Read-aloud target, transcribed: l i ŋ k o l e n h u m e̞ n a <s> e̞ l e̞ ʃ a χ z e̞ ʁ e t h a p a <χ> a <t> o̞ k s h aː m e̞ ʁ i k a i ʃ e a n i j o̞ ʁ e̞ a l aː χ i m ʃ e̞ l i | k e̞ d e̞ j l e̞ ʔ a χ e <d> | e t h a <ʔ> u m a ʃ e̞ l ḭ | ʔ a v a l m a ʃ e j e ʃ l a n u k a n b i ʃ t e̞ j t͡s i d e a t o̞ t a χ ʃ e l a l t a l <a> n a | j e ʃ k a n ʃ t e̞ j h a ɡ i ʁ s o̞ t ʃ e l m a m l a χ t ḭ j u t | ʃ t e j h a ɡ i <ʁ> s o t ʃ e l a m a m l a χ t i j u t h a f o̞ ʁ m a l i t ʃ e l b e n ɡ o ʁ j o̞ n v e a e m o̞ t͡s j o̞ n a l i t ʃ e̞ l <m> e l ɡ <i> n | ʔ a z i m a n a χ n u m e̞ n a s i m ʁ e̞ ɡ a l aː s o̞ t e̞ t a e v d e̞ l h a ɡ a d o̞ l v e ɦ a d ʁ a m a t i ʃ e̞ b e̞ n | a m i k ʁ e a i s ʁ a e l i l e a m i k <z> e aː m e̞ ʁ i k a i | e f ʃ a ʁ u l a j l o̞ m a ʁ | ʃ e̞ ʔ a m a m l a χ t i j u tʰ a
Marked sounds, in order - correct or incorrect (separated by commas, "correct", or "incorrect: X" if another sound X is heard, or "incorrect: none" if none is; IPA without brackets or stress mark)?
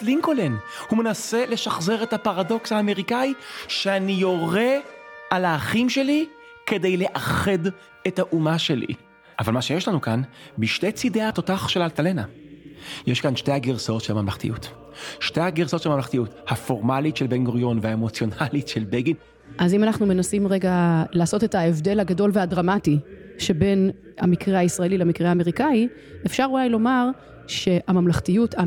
correct, incorrect: ʁ, incorrect: d, correct, correct, incorrect: e, correct, incorrect: b, correct, incorrect: ʁ